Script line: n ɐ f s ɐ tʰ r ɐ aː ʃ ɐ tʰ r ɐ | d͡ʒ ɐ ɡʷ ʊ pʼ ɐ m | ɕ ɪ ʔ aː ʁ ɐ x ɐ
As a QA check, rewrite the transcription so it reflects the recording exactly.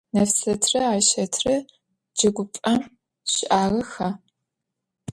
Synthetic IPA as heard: n ɐ f s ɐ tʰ r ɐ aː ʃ ɐ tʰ r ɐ | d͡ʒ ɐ ɡʷ ʊ pʼ ɐ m | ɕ ɪ ʔ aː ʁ ɐ x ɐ